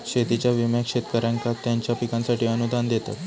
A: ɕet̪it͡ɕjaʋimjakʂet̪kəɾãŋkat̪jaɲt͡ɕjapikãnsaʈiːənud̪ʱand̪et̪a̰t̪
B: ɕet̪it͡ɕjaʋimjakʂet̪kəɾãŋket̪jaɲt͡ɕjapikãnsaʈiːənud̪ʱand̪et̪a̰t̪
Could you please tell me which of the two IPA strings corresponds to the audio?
A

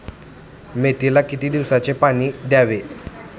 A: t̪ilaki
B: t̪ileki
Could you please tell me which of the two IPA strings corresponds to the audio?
A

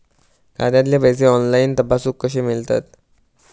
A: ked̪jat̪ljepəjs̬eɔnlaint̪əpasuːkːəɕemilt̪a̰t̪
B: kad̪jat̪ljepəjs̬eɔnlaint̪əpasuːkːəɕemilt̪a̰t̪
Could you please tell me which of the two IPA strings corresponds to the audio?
B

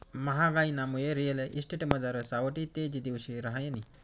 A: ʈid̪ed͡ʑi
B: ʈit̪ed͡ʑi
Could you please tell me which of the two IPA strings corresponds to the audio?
B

